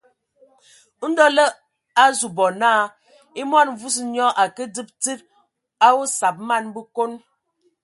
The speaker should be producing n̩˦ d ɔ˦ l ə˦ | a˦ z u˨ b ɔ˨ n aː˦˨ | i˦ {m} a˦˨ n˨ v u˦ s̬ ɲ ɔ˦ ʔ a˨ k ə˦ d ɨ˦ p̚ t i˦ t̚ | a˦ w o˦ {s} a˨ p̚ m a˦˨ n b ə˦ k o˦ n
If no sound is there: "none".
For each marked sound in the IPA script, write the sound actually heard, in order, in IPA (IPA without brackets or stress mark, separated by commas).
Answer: m, s